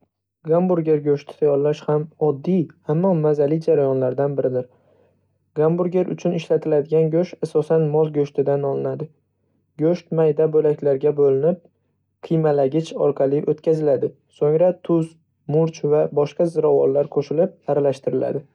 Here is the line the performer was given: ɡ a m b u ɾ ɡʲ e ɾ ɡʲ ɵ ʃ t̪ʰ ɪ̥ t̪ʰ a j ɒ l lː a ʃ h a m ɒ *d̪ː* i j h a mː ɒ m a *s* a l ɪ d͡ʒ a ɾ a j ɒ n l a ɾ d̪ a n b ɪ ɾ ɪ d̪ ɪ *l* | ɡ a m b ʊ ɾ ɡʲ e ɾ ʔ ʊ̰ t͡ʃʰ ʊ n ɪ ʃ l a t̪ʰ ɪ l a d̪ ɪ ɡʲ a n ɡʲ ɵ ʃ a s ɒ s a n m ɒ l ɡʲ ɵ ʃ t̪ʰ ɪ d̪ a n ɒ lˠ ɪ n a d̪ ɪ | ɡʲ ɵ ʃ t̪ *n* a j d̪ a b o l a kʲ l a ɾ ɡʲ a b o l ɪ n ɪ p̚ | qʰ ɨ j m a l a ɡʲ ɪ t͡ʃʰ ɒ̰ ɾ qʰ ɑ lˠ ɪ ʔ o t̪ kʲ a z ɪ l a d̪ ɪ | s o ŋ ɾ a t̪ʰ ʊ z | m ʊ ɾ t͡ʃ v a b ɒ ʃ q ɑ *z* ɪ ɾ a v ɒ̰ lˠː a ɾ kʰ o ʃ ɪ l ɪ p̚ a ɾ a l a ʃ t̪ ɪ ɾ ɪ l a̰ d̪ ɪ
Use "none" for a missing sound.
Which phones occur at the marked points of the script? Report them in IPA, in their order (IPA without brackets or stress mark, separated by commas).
d̪ː, z, ɾ, m, z